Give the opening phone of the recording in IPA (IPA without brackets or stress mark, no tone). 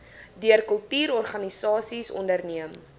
d